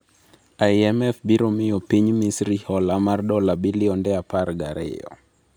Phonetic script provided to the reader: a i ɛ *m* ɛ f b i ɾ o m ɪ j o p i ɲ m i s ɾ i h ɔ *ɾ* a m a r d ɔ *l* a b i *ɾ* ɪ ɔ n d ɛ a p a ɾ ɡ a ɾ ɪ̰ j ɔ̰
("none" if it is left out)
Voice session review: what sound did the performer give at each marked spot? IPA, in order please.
m, l, l, l

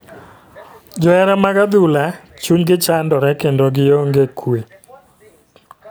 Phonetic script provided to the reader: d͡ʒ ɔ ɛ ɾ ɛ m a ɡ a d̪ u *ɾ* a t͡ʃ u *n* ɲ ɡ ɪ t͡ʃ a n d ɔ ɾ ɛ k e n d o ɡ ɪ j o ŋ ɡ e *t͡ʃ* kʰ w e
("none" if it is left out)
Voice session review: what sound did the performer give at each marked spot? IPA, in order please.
l, none, none

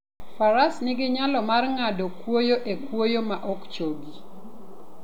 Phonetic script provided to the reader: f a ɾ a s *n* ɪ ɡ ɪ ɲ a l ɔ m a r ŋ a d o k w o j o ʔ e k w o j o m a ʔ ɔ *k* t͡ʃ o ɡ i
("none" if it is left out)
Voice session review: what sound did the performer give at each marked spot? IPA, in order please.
n, k

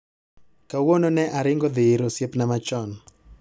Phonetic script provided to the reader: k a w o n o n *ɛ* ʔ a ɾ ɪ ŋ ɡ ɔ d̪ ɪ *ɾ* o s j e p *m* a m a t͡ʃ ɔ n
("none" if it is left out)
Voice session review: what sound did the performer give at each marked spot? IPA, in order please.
ɛ, ɾ, n

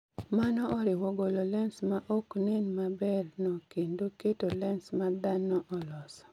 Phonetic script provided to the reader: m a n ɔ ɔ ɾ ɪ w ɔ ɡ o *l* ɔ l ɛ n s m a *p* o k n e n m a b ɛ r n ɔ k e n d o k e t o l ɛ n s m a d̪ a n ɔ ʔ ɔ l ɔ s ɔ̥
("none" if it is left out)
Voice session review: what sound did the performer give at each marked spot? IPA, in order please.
l, ʔ

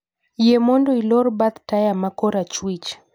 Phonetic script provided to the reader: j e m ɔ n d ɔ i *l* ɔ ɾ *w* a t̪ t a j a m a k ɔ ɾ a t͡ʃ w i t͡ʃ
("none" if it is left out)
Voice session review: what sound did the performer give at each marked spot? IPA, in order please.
l, b

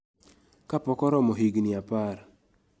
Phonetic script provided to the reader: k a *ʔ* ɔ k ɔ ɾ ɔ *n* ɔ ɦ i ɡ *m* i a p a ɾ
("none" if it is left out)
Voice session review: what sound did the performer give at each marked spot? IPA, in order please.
p, m, n

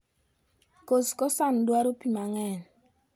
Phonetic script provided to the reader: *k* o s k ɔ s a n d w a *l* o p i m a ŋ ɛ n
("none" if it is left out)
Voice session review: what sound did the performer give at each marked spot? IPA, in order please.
k, ɾ

